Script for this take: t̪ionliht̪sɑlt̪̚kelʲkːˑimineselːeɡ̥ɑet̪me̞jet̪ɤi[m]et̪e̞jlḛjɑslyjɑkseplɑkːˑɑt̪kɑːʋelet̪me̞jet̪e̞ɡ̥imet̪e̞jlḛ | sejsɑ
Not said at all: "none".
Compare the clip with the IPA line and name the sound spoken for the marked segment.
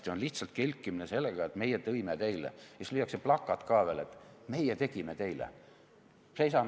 m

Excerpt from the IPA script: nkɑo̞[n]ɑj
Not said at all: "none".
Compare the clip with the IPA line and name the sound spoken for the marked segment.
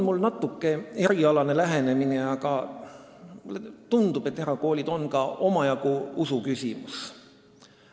m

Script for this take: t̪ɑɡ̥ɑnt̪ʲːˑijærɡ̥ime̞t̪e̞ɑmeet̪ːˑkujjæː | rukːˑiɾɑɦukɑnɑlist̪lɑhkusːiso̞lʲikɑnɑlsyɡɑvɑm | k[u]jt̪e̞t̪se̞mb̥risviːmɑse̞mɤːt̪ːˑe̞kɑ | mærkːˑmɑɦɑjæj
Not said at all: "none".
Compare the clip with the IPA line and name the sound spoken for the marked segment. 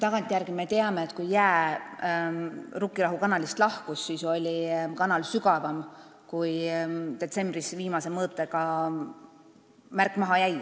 u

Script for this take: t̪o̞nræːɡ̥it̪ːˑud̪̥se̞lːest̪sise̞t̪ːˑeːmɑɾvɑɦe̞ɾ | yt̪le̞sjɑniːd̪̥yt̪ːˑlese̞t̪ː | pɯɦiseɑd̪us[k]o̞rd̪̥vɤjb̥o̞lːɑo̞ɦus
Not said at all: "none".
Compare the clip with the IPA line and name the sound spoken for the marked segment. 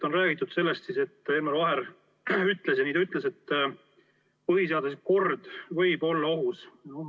k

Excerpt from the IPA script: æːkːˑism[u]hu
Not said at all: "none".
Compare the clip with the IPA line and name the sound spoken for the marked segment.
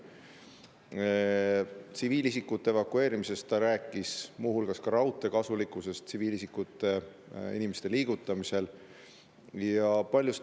uː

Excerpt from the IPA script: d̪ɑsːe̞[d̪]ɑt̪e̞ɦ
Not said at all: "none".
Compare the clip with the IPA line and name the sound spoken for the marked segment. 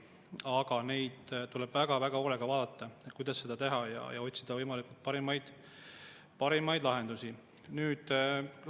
d̪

